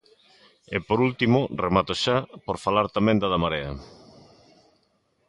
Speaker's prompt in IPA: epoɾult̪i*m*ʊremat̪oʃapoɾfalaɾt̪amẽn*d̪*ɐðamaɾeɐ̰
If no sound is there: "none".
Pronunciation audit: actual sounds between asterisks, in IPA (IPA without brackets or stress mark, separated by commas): m, d̪